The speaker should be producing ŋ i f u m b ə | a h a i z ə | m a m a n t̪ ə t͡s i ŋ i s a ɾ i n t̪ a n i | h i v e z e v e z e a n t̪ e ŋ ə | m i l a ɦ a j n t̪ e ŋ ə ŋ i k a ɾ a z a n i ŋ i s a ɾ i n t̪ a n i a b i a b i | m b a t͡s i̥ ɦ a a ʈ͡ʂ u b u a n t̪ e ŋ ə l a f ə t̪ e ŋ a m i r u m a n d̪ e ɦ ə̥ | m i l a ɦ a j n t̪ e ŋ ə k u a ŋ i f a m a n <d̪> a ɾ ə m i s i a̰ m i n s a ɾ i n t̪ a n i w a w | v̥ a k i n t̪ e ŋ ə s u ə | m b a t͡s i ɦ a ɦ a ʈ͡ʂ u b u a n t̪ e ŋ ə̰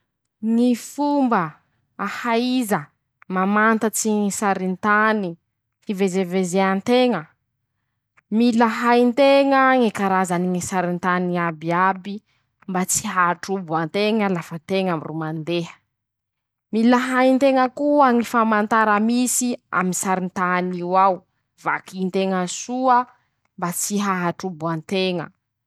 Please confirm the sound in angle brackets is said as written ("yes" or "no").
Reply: no